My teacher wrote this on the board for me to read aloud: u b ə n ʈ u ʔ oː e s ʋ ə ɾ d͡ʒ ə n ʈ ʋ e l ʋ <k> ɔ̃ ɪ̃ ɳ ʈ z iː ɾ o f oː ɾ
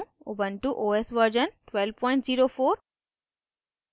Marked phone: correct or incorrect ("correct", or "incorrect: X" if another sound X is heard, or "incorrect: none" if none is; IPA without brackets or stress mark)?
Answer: incorrect: p